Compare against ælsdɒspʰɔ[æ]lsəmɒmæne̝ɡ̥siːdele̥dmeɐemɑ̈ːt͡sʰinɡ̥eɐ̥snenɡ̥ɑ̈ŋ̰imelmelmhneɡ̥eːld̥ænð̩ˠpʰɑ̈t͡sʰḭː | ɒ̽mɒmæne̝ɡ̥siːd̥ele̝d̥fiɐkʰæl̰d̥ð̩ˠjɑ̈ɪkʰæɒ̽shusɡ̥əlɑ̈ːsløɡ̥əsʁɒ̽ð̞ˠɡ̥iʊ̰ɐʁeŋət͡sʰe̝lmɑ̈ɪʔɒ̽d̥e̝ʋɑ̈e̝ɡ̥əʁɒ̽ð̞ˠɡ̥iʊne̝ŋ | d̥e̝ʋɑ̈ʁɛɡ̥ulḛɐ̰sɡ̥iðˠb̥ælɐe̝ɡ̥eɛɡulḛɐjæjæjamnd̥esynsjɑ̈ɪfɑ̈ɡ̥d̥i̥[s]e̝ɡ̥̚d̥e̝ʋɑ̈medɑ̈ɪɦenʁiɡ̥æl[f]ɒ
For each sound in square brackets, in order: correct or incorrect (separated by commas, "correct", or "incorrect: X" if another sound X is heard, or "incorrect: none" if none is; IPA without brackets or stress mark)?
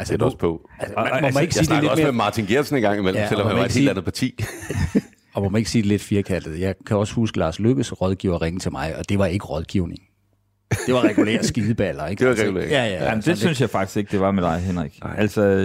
correct, correct, incorrect: s